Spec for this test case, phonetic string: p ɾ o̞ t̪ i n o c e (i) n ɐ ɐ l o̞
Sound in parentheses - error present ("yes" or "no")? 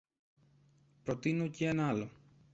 yes